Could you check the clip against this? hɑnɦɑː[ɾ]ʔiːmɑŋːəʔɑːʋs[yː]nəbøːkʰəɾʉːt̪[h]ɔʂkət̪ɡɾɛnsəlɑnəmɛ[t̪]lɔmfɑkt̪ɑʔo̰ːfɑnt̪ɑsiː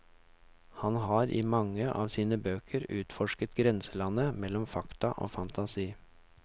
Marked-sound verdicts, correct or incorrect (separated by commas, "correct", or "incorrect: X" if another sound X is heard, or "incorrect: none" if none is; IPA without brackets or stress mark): correct, incorrect: iː, incorrect: f, incorrect: none